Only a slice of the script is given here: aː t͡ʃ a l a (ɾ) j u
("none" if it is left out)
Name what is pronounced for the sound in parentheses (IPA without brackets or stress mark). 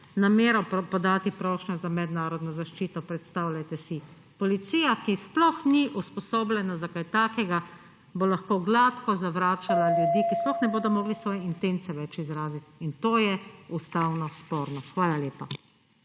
l